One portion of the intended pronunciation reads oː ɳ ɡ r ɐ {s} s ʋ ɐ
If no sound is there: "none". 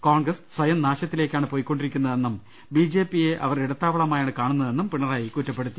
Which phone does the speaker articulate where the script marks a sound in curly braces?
s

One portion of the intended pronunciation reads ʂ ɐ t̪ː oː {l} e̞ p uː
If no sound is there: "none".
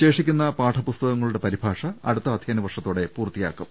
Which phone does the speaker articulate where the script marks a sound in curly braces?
ɽ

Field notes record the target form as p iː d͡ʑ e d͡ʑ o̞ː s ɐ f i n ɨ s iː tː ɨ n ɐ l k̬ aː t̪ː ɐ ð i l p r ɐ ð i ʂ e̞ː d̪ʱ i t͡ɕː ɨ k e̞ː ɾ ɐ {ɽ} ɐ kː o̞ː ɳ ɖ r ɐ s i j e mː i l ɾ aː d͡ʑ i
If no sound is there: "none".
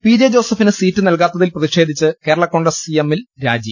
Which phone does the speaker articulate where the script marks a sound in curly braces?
ɭ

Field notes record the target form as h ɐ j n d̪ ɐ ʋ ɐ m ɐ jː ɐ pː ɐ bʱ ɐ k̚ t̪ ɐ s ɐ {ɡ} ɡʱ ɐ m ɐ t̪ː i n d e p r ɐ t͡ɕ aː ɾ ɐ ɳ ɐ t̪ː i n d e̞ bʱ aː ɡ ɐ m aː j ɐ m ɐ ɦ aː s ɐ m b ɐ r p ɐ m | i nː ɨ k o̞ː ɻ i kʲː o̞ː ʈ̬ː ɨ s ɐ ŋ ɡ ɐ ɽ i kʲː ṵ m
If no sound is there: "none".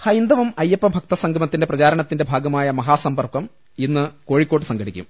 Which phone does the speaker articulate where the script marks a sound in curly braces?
ŋ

